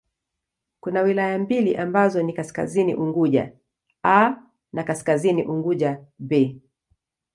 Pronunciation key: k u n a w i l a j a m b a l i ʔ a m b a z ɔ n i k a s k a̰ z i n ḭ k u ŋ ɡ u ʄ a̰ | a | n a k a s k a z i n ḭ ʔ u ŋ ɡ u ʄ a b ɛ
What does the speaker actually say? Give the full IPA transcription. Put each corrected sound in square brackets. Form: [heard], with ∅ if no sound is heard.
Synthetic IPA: k u n a w i l a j a m b [i] l i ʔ a m b a z ɔ n i k a s k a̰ z i n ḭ [ʔ] u ŋ ɡ u ʄ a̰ | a | n a k a s k a z i n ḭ ʔ u ŋ ɡ u ʄ a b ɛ